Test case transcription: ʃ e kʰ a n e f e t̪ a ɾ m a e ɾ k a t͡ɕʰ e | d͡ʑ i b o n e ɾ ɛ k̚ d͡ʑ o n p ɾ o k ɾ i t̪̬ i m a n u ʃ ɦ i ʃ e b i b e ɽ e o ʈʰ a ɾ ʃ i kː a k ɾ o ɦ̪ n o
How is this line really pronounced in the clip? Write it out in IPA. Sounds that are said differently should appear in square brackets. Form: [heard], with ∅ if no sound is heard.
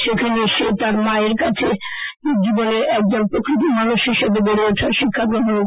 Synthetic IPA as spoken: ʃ e kʰ a n e [ʃ] e t̪ a ɾ m a e ɾ k a t͡ɕʰ e | d͡ʑ i b o n e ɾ ɛ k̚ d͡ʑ o n p ɾ o k ɾ i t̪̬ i m a n u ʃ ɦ i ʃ e b [e] b e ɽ e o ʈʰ a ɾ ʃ i [kʰː] a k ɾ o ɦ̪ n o